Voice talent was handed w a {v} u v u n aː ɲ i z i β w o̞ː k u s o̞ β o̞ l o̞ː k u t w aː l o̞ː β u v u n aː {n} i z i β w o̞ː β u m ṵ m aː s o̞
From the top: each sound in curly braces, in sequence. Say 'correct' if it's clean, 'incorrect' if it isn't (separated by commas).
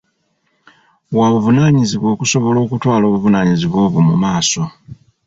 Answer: incorrect, incorrect